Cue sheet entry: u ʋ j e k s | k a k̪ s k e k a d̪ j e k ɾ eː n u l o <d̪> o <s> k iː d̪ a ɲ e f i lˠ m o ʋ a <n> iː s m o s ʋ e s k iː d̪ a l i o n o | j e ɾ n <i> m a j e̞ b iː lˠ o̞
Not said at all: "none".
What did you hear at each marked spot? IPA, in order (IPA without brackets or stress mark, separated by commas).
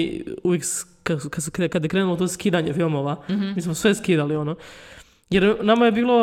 t̪, s, m, a